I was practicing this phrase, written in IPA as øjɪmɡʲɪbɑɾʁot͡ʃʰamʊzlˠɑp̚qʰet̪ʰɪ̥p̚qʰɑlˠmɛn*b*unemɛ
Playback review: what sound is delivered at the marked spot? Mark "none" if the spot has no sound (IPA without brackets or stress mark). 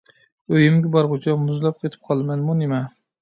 m